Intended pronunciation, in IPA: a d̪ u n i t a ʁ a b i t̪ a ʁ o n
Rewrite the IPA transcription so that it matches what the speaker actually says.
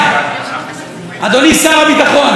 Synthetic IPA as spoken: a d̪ o n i s a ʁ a b i t̪ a χ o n